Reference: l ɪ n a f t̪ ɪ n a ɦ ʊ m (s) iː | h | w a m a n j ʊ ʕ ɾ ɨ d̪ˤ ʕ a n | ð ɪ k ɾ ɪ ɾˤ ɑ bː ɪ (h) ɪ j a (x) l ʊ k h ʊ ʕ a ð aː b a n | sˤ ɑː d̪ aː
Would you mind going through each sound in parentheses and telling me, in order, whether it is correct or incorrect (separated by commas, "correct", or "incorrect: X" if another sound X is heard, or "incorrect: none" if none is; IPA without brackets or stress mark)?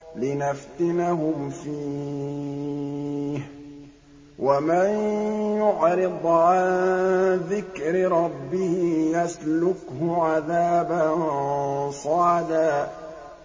incorrect: f, correct, incorrect: s